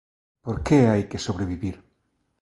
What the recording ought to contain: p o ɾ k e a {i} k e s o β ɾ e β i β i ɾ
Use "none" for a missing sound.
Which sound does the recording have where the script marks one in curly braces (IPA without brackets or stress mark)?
j